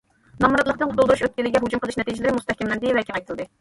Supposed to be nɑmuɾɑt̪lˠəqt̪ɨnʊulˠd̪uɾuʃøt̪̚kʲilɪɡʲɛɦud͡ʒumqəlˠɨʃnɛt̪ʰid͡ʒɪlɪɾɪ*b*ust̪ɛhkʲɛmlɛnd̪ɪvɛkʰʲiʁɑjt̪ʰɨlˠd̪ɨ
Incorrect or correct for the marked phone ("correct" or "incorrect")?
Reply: incorrect